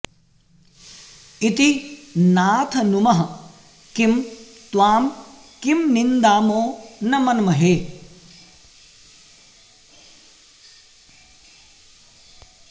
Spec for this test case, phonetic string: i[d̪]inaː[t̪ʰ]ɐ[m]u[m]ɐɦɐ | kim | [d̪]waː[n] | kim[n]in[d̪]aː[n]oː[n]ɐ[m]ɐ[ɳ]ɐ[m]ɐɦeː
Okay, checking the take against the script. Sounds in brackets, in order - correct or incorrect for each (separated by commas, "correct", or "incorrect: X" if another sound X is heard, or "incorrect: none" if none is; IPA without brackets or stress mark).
incorrect: t̪, correct, incorrect: n, correct, incorrect: t̪, incorrect: m, correct, correct, incorrect: m, correct, correct, incorrect: n, correct